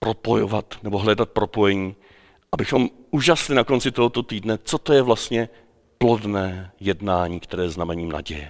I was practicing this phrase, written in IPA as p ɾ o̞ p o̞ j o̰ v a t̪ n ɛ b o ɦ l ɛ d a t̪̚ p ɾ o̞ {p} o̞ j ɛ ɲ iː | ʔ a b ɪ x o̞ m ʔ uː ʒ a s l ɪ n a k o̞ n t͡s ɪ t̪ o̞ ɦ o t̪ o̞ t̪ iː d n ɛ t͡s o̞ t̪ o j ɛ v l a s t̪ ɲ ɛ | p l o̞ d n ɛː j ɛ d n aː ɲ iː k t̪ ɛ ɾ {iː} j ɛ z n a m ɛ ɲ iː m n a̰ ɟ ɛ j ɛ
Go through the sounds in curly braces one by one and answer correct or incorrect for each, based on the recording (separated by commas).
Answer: correct, incorrect